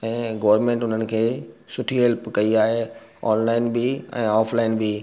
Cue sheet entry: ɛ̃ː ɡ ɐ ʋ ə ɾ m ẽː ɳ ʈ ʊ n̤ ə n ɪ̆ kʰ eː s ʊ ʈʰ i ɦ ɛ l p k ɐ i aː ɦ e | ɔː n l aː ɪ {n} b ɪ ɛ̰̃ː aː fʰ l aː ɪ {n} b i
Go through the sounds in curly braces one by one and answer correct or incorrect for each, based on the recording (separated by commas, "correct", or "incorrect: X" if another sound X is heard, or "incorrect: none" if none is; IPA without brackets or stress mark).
correct, correct